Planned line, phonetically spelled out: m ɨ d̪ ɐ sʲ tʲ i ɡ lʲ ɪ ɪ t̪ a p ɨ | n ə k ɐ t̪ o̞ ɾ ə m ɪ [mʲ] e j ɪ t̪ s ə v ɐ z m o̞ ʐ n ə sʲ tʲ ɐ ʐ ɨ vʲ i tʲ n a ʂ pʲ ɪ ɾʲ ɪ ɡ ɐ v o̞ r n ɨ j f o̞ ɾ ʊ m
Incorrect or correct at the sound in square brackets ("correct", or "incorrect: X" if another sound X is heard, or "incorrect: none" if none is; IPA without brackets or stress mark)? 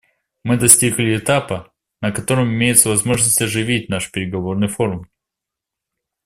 correct